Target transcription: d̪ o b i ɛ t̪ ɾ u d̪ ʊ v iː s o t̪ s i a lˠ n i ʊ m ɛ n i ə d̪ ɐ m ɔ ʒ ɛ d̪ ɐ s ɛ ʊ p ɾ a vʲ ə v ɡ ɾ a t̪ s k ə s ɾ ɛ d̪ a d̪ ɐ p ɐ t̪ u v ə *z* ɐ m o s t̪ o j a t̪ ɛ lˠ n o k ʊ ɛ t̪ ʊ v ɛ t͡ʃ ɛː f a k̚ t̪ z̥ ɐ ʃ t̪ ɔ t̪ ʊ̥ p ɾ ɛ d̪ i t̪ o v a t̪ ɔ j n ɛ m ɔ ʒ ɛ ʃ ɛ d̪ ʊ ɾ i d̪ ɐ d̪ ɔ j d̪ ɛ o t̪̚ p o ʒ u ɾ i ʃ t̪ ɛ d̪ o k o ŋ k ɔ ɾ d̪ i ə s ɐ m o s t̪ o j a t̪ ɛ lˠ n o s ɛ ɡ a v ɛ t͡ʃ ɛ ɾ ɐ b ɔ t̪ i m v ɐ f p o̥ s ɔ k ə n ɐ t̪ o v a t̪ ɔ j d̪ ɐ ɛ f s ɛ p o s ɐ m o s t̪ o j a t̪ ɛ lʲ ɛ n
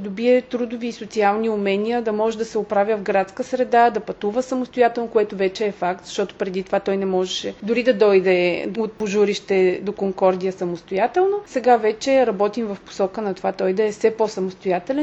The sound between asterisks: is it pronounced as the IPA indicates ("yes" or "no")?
no